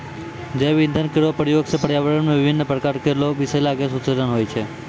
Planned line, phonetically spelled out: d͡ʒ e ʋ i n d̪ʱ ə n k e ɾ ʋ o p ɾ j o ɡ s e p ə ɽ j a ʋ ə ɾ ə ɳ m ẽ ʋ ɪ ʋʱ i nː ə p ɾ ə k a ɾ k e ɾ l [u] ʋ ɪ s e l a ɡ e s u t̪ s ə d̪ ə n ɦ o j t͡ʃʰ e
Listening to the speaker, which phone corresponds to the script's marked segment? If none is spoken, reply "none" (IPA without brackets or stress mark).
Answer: o